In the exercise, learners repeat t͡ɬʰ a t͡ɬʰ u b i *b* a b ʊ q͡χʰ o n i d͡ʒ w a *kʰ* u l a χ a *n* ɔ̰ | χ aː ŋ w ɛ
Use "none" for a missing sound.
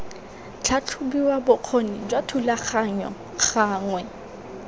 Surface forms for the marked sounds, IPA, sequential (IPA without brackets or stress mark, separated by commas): w, tʰ, ɲ